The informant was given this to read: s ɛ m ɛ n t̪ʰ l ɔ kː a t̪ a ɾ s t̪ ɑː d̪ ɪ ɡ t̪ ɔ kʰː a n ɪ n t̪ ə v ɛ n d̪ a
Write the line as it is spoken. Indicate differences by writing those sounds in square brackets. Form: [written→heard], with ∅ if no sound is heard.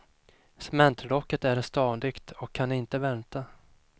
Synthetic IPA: s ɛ m ɛ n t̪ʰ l ɔ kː [a→ə] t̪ [a→æ] ɾ s t̪ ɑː d̪ ɪ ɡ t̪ ɔ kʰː a n ɪ n t̪ ə v ɛ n [d̪→t̪] a